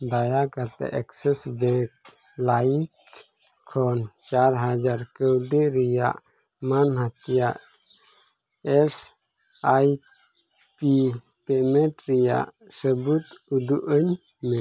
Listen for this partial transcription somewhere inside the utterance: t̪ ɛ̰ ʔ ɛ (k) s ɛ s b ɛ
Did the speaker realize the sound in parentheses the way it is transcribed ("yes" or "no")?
yes